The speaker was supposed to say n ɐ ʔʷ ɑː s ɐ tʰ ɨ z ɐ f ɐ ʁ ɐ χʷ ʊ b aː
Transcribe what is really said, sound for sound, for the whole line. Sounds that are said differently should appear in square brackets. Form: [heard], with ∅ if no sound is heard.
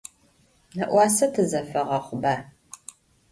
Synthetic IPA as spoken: n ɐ ʔʷ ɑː s ɐ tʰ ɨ z ɐ f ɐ ʁ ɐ χʷ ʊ b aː